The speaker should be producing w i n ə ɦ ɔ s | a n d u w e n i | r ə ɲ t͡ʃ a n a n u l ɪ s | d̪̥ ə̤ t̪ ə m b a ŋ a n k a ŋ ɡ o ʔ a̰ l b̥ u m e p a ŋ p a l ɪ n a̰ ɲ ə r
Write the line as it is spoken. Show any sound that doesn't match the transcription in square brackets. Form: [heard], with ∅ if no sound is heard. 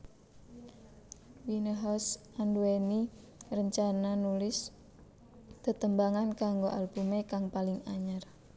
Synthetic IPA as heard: w i n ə ɦ ɔ s | a n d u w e n i | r ə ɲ t͡ʃ a n a n u l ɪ s | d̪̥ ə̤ t̪ ə m b a ŋ a n k a ŋ ɡ o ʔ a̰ l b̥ u m e [k] a ŋ p a l ɪ [ŋ] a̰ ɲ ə r